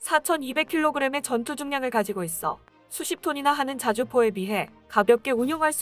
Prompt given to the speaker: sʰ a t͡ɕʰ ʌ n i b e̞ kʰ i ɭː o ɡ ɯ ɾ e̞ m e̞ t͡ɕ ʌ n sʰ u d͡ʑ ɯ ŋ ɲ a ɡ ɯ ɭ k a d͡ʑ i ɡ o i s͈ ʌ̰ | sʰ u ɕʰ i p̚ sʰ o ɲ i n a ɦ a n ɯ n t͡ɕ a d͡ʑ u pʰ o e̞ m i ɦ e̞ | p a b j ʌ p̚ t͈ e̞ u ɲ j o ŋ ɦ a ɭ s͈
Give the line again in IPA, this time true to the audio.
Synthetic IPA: sʰ a t͡ɕʰ ʌ n i b e̞ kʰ i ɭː o ɡ ɯ ɾ e̞ m e̞ t͡ɕ ʌ n tʰ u d͡ʑ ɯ ŋ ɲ a ŋ ɯ ɭ k a d͡ʑ i ɡ o i s͈ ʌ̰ | sʰ u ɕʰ i p̚ tʰ o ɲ i n a ɦ a n ɯ n t͡ɕ a d͡ʑ u pʰ o e̞ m i ɦ e̞ | k a b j ʌ p̚ k͈ e̞ u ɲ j o ŋ ɦ a ɭ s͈